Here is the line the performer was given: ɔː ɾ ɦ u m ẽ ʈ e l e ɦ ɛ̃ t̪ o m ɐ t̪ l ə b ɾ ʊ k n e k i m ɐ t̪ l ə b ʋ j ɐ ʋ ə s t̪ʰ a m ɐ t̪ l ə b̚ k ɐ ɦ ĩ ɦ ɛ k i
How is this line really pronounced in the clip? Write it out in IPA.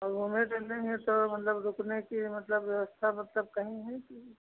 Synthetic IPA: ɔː ɾ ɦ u m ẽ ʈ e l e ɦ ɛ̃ t̪ o m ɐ t̪ l ə b ɾ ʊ k n e k i m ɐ t̪ l ə b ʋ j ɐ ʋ ə s t̪ʰ a m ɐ t̪ l ə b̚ k ɐ ɦ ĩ ɦ ɛ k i